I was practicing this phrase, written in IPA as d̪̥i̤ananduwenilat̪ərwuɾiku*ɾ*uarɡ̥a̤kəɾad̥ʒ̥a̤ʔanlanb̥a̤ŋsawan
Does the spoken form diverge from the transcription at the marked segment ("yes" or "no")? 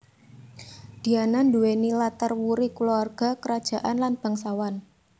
yes